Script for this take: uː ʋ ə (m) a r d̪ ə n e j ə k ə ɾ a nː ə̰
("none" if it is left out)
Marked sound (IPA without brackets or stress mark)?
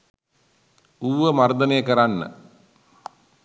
m